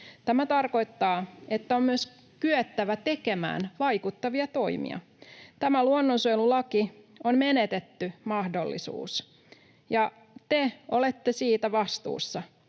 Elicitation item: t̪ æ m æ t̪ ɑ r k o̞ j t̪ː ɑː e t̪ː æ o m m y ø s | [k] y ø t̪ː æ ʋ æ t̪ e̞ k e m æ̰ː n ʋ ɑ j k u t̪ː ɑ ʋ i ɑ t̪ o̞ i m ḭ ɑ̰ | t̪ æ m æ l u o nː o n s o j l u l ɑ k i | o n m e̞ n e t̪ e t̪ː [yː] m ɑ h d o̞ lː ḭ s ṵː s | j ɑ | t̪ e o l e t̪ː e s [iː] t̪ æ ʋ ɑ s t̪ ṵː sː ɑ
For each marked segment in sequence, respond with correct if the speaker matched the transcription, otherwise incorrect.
correct, incorrect: y, correct

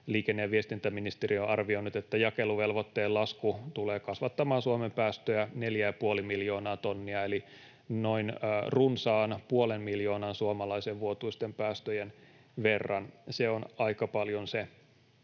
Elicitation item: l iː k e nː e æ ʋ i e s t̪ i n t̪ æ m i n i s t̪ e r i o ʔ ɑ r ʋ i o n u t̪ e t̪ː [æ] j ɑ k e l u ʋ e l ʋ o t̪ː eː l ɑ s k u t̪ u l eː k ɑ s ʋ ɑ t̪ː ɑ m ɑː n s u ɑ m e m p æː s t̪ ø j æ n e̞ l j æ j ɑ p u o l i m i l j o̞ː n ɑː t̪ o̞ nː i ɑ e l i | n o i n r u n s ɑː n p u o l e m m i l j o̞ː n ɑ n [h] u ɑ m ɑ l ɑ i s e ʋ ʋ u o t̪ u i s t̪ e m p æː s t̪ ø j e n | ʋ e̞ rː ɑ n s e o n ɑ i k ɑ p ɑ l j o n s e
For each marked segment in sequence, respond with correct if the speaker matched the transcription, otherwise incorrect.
correct, incorrect: s

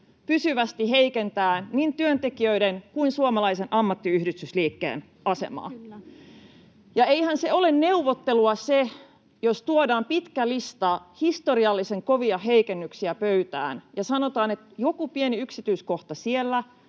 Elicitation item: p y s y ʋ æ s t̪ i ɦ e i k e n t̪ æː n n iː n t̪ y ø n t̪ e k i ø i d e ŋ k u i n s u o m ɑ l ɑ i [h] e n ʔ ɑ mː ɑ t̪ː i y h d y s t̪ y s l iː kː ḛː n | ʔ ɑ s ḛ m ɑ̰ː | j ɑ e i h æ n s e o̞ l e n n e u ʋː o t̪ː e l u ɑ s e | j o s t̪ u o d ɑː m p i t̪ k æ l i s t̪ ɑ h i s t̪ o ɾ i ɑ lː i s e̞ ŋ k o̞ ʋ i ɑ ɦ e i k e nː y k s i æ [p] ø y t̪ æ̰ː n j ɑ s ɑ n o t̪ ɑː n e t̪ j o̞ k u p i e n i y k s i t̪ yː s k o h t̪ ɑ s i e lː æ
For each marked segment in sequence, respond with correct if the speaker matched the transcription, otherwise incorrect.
incorrect: s, correct

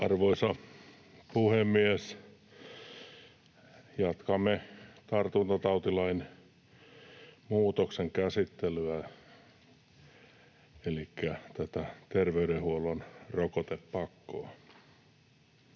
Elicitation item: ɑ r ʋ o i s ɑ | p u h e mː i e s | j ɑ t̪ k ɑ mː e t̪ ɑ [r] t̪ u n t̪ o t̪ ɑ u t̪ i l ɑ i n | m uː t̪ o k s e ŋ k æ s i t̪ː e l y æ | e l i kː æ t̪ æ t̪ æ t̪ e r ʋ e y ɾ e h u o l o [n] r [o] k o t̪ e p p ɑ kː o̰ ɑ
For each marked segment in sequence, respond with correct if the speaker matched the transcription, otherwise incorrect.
correct, correct, correct

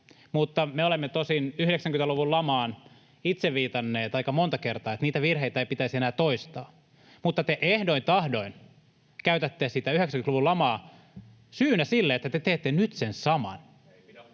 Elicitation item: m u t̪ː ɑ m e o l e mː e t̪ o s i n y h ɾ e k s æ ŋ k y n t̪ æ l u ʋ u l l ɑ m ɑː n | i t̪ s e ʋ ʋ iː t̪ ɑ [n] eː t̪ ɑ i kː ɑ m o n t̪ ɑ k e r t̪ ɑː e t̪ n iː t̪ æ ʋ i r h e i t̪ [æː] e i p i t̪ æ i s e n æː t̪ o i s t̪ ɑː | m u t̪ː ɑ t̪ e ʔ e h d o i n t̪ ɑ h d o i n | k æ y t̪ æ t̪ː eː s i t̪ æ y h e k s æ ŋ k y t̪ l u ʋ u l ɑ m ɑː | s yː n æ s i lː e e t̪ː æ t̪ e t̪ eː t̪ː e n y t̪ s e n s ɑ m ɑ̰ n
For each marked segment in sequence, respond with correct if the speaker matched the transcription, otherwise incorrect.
incorrect: nː, incorrect: æ

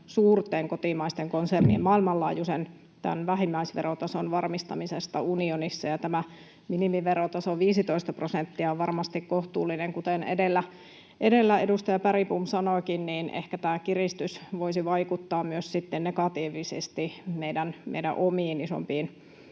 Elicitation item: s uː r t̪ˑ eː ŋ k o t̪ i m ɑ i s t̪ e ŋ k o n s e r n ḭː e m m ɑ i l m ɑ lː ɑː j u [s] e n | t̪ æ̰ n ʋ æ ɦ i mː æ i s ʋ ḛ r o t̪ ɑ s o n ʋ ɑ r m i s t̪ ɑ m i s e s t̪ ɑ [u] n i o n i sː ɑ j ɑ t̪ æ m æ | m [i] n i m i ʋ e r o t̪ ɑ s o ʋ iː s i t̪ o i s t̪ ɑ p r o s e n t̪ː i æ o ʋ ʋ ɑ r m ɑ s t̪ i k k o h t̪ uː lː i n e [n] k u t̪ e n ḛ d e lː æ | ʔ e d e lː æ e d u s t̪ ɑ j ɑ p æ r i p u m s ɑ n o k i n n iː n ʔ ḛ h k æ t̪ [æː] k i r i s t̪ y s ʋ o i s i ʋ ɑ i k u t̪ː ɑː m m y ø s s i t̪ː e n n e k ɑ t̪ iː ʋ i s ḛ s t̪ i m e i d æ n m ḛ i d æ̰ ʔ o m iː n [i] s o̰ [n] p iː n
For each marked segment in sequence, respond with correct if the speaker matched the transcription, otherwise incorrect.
correct, correct, correct, incorrect: ŋ, correct, correct, incorrect: m

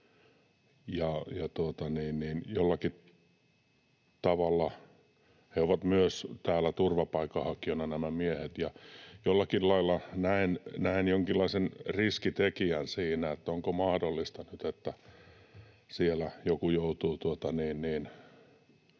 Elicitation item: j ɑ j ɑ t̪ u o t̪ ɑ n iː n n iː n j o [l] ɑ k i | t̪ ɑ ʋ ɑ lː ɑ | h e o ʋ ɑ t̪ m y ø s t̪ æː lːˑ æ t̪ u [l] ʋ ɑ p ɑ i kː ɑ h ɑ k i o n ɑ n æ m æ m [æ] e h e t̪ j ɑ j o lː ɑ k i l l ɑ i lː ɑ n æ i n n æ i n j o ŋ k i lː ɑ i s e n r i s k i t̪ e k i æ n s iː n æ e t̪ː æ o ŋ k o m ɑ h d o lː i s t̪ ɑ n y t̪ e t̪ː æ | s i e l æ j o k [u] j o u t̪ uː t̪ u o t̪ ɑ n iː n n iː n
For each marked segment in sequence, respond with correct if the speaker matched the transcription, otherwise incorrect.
incorrect: lː, incorrect: r, incorrect: i, correct

